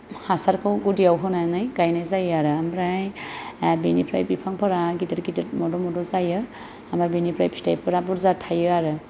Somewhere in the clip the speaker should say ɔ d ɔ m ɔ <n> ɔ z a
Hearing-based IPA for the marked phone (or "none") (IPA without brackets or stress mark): d